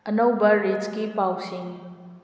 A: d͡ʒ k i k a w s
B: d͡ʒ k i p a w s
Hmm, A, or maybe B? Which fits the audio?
B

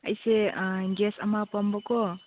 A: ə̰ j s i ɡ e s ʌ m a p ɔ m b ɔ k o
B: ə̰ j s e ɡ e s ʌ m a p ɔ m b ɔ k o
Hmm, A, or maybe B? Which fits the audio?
B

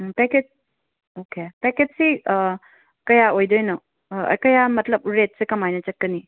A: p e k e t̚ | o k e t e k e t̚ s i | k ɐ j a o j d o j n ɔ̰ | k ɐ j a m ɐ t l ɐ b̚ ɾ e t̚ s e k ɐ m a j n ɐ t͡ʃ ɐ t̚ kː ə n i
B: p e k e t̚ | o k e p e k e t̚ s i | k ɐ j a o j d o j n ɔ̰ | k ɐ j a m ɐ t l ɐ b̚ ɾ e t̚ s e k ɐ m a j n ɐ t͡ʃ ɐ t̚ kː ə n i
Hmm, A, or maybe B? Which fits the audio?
B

